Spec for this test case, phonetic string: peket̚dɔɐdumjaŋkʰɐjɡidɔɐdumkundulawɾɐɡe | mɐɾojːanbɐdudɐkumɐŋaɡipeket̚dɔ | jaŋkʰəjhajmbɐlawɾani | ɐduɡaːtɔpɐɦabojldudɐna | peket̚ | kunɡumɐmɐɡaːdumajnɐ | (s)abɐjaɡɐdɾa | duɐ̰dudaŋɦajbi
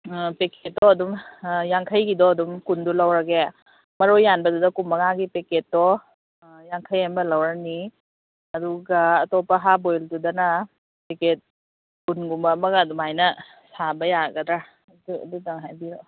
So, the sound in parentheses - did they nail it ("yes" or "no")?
yes